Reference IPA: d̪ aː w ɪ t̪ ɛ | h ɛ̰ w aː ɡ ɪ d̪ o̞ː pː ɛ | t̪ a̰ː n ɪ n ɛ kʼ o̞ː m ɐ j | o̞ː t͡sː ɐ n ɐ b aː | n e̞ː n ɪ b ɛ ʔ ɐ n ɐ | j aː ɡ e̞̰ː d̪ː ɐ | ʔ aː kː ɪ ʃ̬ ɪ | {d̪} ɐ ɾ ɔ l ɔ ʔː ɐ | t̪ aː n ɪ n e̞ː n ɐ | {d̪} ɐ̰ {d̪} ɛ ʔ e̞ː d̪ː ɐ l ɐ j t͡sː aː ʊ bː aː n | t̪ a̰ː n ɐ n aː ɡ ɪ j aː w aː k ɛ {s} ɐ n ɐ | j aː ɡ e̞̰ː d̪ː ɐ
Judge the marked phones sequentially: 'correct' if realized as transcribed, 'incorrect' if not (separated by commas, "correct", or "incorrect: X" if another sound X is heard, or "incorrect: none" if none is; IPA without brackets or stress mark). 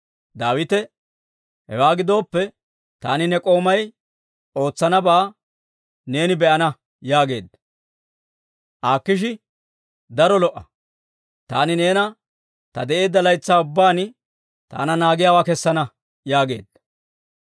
correct, incorrect: t̪, correct, incorrect: sː